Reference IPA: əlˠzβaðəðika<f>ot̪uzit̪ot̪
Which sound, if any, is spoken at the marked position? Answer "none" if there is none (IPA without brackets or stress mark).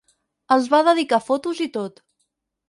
f